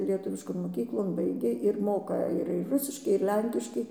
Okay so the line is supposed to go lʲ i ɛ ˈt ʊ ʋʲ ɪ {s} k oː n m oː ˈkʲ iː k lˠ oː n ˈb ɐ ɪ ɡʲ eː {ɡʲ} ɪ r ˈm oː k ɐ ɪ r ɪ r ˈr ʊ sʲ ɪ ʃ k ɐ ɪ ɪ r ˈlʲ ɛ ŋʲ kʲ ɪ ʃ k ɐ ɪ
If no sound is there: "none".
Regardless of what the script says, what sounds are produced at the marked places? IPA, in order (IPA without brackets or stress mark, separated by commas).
ʃ, none